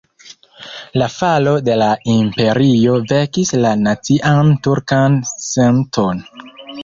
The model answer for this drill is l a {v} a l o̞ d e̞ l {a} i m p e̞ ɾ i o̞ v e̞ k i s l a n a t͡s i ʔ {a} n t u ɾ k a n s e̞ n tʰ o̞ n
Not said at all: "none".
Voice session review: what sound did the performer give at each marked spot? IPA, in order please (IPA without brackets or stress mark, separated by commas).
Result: f, a, a